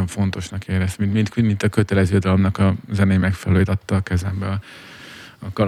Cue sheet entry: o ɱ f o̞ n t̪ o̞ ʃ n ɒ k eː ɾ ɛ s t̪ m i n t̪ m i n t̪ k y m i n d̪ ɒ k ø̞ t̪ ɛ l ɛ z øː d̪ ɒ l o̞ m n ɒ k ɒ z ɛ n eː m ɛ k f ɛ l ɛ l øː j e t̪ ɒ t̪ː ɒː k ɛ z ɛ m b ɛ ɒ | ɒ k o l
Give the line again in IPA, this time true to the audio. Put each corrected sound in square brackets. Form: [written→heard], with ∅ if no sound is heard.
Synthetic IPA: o ɱ f o̞ n t̪ o̞ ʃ n ɒ k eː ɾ ɛ s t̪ m i n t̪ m i n t̪ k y m i n [d̪→t̪] ɒ k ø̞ t̪ ɛ l ɛ z øː d̪ ɒ l o̞ m n ɒ k ɒ z ɛ n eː m ɛ k f ɛ l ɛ l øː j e t̪ ɒ t̪ː ɒː k ɛ z ɛ m b ɛ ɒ | ɒ k [o→ɒ] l